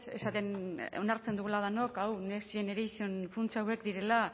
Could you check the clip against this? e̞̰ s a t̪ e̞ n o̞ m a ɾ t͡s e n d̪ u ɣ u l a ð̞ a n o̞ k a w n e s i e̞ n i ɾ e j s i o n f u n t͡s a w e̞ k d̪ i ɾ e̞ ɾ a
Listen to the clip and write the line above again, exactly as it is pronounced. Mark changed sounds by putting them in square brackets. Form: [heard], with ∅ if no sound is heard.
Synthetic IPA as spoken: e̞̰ s a t̪ e̞ n o̞ [n] a ɾ t͡s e n d̪ u ɣ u l a ð̞ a n o̞ k a w n e s i e̞ n [e] ɾ e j s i o n f u n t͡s a w e̞ k d̪ i ɾ e̞ [l] a